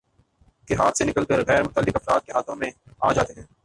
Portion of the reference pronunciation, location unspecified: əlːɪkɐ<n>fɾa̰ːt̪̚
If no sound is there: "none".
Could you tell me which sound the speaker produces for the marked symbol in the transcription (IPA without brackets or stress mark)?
none